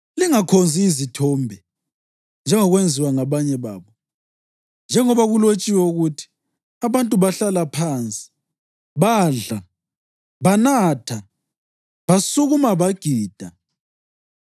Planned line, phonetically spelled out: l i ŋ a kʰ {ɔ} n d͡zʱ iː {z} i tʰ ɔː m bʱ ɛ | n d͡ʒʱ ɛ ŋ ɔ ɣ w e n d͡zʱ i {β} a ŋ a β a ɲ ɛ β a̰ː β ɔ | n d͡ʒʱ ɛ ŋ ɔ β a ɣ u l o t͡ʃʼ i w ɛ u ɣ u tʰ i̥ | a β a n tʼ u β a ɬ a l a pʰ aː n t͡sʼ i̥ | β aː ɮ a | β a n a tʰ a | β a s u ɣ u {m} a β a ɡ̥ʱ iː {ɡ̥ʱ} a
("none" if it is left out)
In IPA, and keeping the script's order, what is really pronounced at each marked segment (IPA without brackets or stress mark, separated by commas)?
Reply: o, z, w, m, d̥ʱ